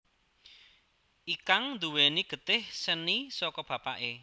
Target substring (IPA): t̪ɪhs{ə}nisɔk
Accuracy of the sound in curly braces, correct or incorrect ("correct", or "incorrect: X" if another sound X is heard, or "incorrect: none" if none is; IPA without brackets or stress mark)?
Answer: correct